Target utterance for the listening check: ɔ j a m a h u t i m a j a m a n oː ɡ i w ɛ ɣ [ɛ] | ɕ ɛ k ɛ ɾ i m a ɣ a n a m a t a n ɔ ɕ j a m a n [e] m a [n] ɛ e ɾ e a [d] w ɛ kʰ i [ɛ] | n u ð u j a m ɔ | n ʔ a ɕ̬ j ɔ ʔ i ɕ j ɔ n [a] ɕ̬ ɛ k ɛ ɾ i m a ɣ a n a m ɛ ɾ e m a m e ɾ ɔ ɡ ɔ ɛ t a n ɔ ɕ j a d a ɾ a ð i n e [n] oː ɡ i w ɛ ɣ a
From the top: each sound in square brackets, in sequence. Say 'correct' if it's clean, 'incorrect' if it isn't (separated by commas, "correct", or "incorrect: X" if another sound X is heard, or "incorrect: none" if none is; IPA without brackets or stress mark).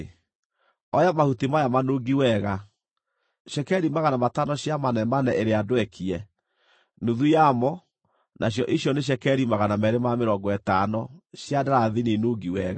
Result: incorrect: a, incorrect: ɛ, correct, correct, correct, incorrect: e, correct